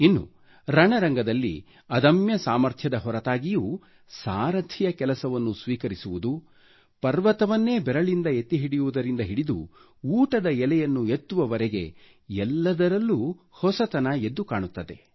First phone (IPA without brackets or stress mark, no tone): i